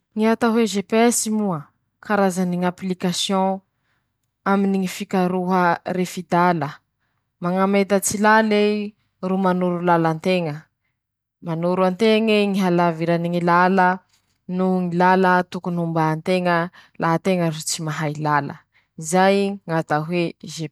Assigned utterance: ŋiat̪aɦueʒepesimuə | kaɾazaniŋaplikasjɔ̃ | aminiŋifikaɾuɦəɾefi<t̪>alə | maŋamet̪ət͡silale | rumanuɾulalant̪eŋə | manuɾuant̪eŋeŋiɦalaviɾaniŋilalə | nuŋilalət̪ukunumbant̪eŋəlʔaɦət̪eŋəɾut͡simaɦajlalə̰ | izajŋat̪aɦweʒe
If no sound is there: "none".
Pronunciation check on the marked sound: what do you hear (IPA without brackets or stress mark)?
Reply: d̪